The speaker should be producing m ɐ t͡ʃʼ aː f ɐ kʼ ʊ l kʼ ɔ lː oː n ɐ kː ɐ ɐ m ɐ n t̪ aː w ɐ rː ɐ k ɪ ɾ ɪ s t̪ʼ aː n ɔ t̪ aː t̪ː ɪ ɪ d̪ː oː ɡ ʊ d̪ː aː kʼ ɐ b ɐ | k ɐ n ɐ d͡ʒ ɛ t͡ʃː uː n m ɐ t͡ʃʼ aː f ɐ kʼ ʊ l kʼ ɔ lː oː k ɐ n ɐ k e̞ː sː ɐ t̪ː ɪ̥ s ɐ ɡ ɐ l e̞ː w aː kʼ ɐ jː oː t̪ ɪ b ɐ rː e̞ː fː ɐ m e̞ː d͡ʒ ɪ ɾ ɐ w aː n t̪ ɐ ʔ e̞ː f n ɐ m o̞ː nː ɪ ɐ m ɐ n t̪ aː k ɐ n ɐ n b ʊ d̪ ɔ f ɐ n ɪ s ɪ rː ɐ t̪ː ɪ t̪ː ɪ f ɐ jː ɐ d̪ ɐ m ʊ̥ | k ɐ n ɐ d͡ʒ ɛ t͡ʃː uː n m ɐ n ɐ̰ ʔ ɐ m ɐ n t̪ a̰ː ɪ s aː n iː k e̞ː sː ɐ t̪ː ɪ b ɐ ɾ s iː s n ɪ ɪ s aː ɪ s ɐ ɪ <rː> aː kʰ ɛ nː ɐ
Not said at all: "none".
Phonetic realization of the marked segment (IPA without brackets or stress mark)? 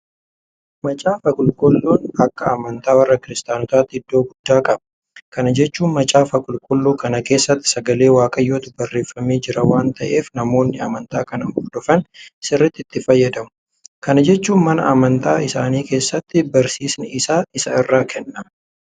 rː